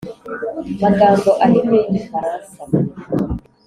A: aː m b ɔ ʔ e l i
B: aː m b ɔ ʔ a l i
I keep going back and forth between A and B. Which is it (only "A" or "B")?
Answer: B